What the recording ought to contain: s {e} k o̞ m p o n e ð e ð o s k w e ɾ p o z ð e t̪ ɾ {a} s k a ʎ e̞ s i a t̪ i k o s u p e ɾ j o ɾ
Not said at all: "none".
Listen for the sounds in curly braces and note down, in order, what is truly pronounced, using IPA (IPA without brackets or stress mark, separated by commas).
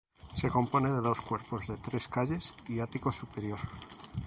e, e